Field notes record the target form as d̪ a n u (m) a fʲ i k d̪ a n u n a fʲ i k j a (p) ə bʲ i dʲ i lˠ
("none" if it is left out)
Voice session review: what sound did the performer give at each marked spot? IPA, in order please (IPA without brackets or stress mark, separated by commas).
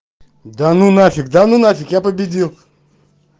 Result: n, p